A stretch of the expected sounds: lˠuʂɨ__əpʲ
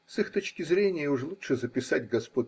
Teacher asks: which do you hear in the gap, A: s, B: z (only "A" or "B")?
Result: B